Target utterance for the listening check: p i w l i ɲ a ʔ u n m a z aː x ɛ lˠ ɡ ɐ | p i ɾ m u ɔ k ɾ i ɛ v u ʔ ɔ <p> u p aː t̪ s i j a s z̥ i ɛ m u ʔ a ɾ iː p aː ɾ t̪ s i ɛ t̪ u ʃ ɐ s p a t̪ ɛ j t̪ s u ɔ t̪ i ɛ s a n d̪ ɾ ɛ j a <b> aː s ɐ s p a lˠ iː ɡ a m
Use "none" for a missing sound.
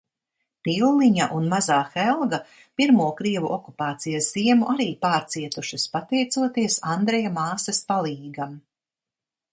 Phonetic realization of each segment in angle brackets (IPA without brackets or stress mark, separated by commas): k, m